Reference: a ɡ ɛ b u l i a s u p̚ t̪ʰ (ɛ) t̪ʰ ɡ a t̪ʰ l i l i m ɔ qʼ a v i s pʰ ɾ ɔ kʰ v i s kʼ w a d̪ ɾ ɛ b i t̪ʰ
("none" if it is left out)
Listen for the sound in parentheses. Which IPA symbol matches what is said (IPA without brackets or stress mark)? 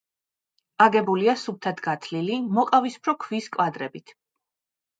a